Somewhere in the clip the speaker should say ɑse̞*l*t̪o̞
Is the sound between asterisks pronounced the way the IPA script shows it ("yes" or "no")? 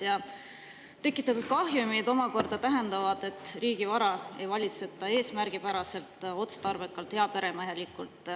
yes